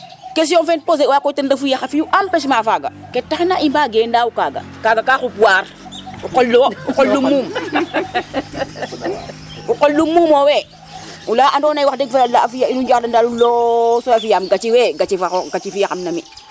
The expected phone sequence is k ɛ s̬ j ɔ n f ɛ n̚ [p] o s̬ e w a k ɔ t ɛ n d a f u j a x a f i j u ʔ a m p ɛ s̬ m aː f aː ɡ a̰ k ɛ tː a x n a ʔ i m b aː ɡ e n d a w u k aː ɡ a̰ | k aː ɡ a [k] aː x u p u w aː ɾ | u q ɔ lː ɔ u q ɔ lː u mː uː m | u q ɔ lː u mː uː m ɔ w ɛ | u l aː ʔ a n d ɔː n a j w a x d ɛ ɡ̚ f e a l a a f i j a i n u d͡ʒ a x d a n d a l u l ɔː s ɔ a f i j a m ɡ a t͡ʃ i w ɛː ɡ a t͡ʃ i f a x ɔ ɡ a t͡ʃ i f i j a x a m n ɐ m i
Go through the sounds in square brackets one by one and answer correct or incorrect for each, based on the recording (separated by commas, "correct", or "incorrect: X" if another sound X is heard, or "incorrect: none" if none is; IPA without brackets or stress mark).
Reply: correct, correct